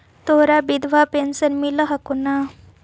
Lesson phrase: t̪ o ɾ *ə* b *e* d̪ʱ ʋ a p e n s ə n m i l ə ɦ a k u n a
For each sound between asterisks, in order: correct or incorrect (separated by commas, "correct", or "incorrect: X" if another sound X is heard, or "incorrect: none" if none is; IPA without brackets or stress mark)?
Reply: incorrect: a, incorrect: i